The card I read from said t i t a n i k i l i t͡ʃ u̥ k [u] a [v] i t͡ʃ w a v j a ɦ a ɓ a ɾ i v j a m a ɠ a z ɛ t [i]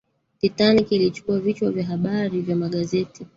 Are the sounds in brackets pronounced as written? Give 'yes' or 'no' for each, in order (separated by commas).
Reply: yes, yes, yes